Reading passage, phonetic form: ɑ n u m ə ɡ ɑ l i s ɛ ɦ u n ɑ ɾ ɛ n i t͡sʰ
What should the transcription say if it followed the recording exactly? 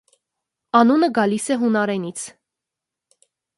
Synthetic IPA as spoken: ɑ n u n ə ɡ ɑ l i s ɛ ɦ u n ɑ ɾ ɛ n i t͡sʰ